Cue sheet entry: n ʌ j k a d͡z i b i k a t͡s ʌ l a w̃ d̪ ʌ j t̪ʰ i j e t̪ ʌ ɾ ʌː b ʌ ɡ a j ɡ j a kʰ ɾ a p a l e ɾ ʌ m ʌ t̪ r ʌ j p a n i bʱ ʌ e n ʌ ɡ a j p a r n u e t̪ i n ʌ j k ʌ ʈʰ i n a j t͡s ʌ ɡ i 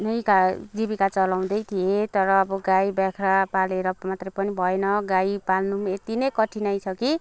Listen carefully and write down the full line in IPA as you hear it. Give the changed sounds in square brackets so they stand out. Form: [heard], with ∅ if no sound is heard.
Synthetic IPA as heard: n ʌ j k a d͡z i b i k a t͡s ʌ l a w̃ d̪ ʌ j t̪ʰ i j e t̪ ʌ ɾ ʌː b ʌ ɡ a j [b] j a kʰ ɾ a p a l e ɾ ʌ m [a] t̪ r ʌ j p [ʌ] n i bʱ ʌ e n ʌ ɡ a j p a [l] n u e t̪ i n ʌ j k ʌ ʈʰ i n a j [t͡sʰ] ʌ [k] i